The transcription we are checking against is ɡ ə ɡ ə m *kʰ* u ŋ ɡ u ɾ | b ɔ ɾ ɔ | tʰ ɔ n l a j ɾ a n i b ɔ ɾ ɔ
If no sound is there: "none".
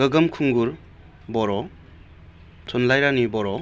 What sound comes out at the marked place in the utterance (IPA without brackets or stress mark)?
kʰ